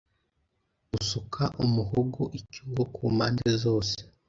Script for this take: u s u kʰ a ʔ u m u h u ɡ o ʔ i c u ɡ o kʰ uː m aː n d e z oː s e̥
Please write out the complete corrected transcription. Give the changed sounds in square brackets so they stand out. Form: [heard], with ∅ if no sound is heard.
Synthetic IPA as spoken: u s u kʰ a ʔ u m u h [o] ɡ o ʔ i c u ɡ o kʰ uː m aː n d e z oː s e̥